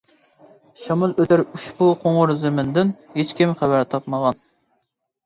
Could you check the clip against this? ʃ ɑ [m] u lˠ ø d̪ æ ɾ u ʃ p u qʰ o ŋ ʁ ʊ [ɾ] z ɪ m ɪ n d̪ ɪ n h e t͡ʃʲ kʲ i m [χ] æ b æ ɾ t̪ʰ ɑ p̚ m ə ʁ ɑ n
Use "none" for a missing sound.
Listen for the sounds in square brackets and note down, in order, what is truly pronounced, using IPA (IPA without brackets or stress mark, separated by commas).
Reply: m, ɾ, χ